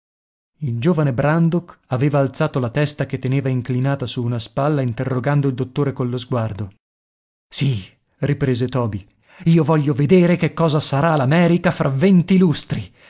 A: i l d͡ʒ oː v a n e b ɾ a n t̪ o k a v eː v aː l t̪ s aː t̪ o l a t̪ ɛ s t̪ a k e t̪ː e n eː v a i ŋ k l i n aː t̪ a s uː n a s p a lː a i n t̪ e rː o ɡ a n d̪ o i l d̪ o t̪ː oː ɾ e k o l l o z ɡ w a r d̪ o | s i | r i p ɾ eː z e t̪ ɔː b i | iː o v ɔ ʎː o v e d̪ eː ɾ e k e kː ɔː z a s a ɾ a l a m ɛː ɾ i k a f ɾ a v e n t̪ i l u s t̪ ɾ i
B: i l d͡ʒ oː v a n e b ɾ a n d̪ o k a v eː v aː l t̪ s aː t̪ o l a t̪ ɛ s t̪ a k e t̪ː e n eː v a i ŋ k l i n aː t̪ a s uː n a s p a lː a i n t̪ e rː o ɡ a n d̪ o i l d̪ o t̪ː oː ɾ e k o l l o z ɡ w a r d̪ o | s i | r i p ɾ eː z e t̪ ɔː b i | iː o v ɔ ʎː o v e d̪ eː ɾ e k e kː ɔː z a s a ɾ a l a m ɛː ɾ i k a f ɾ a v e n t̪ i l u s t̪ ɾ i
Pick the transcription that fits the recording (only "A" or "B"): B